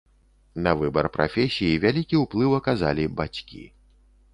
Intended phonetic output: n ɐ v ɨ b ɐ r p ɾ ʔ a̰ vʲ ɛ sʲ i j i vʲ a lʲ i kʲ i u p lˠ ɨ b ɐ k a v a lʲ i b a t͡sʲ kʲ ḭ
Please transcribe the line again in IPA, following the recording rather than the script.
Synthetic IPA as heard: n ɐ v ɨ b ɐ r p ɾ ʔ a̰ fʲ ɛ sʲ i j i vʲ a lʲ i kʲ i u p lˠ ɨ w ɐ k a z a lʲ i b a t͡sʲ kʲ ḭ